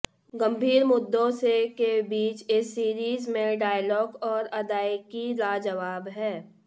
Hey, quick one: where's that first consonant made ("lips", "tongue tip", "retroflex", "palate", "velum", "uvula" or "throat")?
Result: velum